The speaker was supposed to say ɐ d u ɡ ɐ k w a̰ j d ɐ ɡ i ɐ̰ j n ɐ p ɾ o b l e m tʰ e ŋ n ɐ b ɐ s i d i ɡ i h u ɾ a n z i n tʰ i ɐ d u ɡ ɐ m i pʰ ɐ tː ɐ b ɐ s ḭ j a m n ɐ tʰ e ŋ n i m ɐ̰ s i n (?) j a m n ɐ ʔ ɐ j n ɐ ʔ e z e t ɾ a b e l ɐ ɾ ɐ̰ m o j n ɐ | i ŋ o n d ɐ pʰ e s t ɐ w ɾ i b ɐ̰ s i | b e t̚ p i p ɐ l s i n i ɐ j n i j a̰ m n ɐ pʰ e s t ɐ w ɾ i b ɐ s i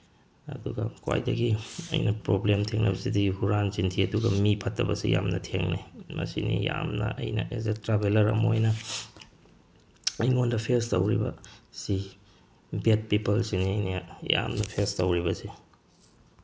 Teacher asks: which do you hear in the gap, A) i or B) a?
A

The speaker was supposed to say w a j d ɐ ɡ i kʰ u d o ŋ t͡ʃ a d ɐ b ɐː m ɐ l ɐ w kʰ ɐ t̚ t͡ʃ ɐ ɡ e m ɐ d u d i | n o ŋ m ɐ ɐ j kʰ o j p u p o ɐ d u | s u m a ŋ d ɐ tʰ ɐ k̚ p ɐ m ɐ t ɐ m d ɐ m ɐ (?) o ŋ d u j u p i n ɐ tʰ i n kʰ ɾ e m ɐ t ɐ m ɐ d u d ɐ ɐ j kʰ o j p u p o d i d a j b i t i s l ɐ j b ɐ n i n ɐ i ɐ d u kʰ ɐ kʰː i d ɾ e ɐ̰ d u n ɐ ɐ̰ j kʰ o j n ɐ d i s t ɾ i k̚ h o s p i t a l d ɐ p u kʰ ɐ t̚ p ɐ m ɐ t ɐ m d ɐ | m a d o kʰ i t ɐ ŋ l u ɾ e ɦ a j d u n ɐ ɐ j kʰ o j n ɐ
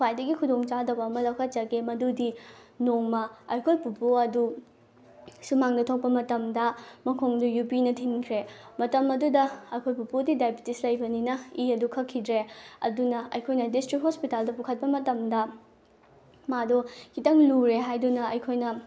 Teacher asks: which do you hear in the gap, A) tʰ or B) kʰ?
B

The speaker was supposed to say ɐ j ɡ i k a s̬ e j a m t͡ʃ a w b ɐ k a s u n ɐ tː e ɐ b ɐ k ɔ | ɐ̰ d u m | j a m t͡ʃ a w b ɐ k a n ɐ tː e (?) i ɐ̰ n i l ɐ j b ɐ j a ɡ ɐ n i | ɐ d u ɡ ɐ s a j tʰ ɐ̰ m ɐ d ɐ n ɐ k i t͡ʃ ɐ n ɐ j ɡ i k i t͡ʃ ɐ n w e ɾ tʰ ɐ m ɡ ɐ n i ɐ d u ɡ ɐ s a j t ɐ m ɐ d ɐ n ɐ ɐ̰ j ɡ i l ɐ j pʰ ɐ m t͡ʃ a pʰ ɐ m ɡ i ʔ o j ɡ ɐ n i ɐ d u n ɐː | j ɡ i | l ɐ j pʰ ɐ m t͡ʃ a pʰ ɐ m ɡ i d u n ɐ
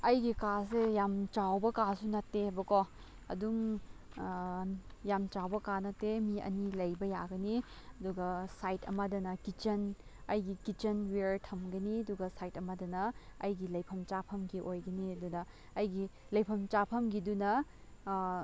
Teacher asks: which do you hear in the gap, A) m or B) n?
A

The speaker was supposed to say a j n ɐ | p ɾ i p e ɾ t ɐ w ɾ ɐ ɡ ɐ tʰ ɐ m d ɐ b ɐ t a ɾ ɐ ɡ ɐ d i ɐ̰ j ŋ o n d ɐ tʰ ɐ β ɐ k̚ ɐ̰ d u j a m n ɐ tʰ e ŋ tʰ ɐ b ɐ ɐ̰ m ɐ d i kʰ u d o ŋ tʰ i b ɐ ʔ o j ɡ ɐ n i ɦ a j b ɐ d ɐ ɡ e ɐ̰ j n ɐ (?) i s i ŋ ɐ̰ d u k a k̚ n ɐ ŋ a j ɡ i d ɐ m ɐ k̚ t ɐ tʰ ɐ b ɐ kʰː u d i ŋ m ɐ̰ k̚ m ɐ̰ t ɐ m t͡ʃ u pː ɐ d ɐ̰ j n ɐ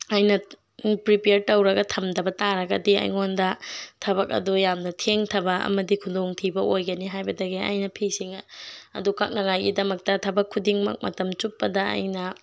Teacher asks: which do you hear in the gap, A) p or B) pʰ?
B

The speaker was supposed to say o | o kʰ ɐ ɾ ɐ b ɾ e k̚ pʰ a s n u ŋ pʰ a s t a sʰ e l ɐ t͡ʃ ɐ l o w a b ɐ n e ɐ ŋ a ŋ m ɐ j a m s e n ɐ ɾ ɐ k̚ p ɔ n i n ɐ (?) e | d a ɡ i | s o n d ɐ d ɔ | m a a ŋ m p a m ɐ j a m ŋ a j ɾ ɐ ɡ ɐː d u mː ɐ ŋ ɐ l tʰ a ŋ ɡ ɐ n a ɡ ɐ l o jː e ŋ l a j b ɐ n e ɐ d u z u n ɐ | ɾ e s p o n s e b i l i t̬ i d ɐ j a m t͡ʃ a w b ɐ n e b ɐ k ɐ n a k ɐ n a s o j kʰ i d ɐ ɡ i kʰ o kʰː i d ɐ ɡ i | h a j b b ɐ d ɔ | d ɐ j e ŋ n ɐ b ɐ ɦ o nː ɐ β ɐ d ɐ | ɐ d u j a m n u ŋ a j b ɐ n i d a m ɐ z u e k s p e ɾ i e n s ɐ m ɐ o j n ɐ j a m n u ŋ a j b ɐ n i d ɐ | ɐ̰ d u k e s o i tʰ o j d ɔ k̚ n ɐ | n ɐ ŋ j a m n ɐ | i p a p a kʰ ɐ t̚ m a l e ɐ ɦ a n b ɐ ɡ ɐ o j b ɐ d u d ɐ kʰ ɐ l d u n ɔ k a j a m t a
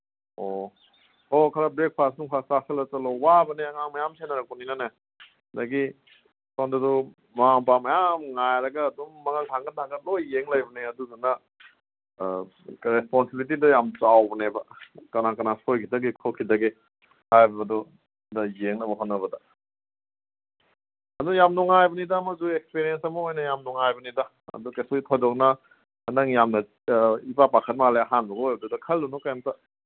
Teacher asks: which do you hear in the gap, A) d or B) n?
B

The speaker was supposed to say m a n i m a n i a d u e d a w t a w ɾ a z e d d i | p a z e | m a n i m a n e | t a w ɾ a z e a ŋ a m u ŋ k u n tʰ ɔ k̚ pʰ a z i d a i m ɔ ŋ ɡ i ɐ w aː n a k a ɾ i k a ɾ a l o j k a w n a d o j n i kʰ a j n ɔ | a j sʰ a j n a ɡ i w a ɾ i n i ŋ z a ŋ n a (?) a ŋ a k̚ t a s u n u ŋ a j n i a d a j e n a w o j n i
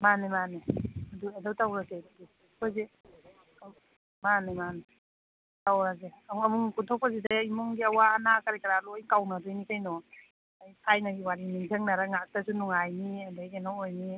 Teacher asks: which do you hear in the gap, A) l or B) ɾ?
B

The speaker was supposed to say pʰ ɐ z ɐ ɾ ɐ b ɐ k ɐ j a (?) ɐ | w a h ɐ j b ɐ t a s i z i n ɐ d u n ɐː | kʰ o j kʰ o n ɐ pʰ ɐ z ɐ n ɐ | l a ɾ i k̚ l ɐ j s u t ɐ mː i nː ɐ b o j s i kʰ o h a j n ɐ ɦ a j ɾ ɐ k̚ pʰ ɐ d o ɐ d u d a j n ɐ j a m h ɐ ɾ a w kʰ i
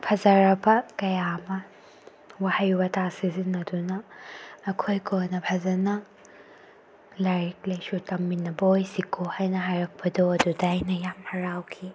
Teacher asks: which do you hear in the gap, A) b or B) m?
B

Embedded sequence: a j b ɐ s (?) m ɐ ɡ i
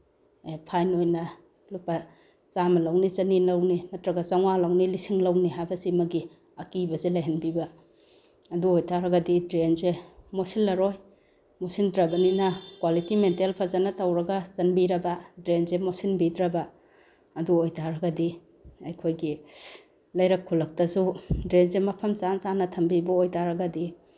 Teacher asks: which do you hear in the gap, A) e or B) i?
B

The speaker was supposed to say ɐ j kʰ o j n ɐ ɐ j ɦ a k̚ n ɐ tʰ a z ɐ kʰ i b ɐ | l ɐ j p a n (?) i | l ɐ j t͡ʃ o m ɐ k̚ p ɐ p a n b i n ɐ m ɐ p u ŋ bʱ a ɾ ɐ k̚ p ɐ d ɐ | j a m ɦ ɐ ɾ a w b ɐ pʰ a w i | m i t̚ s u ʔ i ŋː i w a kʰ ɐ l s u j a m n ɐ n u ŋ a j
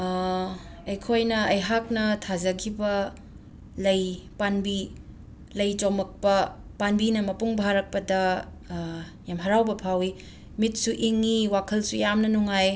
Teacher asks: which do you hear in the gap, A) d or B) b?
B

